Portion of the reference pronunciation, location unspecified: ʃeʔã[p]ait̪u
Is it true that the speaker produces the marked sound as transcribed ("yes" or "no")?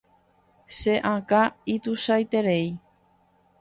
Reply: no